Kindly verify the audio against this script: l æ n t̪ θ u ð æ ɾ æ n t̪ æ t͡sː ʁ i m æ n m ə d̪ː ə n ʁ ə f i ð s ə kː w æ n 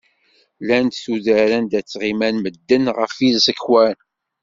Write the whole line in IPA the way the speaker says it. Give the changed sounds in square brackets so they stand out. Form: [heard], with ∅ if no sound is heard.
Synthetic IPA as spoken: l æ n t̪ θ u ð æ ɾ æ n [d̪] æ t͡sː ʁ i m æ n m ə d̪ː ə n ʁ ə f i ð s ə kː w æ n